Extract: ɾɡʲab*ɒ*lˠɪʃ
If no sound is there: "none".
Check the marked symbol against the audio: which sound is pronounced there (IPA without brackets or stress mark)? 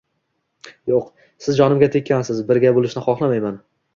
o